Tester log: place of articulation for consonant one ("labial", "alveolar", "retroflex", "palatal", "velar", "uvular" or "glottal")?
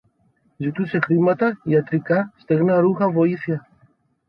alveolar